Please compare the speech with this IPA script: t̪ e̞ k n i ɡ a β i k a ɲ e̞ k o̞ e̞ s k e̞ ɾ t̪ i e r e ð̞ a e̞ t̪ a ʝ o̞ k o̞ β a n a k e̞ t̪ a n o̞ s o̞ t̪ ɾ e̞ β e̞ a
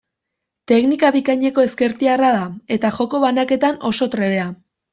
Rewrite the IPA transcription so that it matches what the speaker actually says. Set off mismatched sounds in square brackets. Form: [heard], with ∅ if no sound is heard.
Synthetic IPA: t̪ e̞ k n i [k] a β i k a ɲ e̞ k o̞ e̞ s k e̞ ɾ t̪ i [a] r [a] ð̞ a e̞ t̪ a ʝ o̞ k o̞ β a n a k e̞ t̪ a n o̞ s o̞ t̪ ɾ e̞ β e̞ a